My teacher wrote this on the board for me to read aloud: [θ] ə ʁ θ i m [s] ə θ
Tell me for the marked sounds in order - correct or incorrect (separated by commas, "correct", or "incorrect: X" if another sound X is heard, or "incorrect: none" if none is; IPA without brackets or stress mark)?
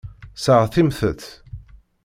incorrect: s, incorrect: θ